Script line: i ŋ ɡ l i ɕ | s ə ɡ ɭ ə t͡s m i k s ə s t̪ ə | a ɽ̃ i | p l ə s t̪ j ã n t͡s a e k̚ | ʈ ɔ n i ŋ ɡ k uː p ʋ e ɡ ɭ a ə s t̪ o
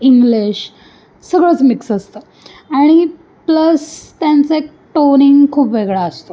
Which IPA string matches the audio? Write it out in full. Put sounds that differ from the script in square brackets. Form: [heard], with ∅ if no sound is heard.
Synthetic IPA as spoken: i ŋ ɡ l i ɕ | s ə ɡ ɭ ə t͡s m i k s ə s t̪ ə | a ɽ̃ i | p l ə s t̪ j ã n t͡s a e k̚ | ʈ [o] n i ŋ ɡ [kʰ] uː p ʋ e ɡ ɭ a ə s t̪ o

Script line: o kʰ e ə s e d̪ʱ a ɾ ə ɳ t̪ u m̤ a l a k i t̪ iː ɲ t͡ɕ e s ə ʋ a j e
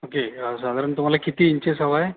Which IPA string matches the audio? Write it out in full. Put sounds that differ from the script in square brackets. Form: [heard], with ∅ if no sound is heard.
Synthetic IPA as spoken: o [k] e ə s [a] d̪ʱ a ɾ ə ɳ t̪ u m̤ a l a k i t̪ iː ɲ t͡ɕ e s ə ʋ a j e

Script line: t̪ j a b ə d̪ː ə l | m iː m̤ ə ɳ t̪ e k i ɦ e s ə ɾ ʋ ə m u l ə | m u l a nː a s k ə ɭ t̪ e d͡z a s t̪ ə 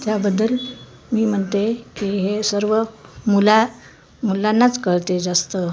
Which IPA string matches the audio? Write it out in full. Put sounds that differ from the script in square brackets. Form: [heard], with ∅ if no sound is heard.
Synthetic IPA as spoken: t̪ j a b ə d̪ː ə l | m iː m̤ ə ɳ t̪ e k i ɦ e s ə ɾ ʋ ə m u l [a] | m u l a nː a [t͡s] k ə ɭ t̪ e d͡z a s t̪ ə

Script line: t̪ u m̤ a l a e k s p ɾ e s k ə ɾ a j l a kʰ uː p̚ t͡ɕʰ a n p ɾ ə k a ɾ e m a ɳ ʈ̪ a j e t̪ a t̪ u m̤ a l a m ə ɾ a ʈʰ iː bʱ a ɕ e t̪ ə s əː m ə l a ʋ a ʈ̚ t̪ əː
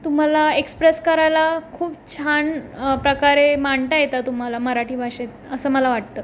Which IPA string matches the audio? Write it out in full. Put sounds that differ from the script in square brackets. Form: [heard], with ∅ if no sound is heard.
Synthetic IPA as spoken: t̪ u m̤ a l a e k s p ɾ e s k ə ɾ a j l a kʰ uː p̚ t͡ɕʰ a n p ɾ ə k a ɾ e m a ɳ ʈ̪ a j e t̪ a t̪ u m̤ a l a m ə ɾ a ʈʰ iː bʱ a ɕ e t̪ ə s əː m ə l a ʋ a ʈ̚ t̪ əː

